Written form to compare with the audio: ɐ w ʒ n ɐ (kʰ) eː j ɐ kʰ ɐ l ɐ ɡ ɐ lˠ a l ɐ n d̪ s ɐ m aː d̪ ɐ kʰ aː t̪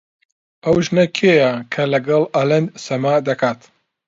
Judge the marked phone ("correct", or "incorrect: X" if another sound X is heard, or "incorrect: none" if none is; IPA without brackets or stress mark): correct